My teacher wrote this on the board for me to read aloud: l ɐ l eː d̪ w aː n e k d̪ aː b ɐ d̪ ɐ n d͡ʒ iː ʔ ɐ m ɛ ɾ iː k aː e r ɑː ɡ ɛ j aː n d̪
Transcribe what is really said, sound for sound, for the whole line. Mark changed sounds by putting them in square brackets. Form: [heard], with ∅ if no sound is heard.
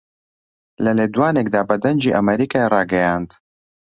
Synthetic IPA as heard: l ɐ l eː d̪ w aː n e k d̪ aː b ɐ d̪ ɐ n d͡ʒ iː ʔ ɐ m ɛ ɾ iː k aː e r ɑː ɡ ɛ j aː n d̪

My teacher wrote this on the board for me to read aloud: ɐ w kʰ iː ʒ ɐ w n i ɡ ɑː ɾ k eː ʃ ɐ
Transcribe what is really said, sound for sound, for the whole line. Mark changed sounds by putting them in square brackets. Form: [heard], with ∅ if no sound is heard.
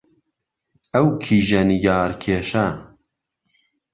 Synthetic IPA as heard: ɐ w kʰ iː ʒ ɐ [∅] n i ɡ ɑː ɾ [kʰ] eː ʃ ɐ

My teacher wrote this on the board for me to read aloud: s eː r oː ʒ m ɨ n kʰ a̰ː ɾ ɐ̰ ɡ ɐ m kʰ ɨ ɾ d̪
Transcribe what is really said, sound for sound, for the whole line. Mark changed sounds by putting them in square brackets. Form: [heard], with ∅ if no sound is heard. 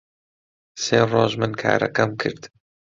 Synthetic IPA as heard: s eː r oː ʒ m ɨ n kʰ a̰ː ɾ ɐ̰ [k] ɐ m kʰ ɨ ɾ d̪

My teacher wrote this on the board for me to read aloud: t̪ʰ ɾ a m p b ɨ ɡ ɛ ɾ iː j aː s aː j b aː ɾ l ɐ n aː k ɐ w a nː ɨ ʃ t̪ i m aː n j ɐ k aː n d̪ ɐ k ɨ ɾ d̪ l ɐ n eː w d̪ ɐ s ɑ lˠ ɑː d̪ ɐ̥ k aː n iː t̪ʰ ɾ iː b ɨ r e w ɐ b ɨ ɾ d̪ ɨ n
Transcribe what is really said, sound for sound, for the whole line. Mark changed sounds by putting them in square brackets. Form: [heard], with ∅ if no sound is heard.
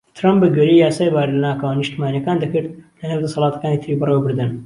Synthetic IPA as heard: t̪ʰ ɾ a m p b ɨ ɡ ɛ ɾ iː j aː s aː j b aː ɾ l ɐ n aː k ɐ w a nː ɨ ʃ t̪ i m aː n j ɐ k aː n d̪ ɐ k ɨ ɾ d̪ l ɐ n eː w d̪ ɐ s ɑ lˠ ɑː [t̪] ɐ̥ k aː n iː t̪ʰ ɾ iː b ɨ r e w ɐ b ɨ ɾ d̪ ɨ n

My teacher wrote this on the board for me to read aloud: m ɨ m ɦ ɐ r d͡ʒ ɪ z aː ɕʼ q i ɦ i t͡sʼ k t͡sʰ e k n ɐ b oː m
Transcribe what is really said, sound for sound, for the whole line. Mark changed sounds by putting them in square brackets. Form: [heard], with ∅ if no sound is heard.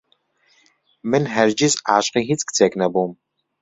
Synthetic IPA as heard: m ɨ [n] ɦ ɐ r d͡ʒ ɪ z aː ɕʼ q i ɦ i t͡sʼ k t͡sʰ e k n ɐ b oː m

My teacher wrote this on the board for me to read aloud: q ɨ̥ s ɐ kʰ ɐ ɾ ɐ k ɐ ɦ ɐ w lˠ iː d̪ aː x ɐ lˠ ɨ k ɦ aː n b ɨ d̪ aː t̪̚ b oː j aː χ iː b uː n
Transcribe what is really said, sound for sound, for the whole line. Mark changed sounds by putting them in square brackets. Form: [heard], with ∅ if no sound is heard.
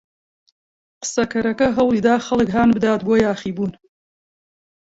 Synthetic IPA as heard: q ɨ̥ s ɐ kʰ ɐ ɾ ɐ k ɐ ɦ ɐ w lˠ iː d̪ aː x ɐ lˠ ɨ k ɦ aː n b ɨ d̪ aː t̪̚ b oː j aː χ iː b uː n

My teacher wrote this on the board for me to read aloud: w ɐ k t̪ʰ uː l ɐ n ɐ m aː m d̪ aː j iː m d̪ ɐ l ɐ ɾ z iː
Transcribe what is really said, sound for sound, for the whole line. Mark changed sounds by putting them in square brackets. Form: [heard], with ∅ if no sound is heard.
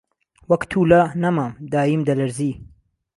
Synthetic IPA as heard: w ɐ k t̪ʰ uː l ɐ n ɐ m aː m d̪ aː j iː m d̪ ɐ l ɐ ɾ z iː

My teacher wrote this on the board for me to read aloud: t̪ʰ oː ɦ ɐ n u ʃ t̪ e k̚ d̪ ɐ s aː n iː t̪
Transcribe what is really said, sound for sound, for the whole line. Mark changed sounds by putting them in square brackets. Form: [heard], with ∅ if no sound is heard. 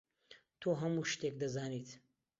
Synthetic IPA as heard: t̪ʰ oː ɦ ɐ [m] u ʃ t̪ e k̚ d̪ ɐ [z] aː n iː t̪

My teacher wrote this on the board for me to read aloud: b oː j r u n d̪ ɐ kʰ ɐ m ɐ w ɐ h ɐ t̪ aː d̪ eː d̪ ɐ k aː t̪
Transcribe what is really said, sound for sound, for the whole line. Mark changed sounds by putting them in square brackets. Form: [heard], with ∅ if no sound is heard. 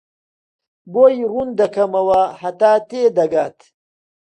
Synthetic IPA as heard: b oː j r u n d̪ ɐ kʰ ɐ m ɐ w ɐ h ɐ t̪ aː [t̪] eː d̪ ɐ [ɡ] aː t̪

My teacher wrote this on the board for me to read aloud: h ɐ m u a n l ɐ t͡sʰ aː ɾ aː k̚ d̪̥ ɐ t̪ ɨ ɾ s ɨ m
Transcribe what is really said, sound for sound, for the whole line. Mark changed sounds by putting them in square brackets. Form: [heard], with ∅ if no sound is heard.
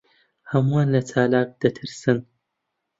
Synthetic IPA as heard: h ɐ m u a n l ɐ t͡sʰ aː [l] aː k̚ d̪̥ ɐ [t̪ʰ] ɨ ɾ s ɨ [n]

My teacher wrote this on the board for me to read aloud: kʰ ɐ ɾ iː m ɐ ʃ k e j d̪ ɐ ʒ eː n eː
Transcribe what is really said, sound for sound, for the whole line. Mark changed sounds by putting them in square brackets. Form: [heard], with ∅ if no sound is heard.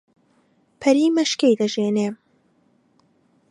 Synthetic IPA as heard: [pʰ] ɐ ɾ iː m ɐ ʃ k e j d̪ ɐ ʒ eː n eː

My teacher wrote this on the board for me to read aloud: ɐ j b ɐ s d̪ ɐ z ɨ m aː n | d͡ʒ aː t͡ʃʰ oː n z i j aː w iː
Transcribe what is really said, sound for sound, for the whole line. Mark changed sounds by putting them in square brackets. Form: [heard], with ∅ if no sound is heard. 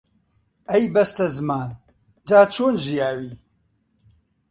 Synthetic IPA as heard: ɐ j b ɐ s [t̪] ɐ z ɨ m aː n | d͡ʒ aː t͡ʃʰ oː n [ʒ] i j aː w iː

